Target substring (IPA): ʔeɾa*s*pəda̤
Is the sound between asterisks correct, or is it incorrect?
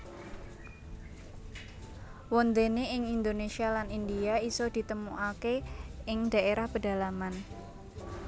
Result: incorrect